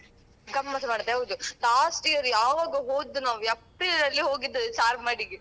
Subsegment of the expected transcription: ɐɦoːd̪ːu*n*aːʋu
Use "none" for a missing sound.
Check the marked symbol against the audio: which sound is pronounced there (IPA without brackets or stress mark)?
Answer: n